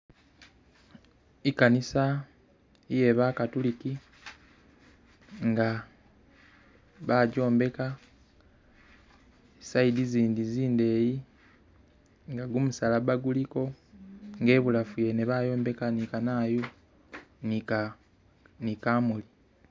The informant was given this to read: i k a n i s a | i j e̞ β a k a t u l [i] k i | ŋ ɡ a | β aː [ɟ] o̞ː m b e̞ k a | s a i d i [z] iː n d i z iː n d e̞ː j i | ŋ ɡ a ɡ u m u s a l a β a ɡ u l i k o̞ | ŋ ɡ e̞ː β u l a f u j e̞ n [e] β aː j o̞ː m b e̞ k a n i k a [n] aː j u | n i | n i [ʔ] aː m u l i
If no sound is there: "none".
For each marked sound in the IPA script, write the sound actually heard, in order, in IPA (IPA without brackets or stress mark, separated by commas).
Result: i, ɟ, z, e, n, k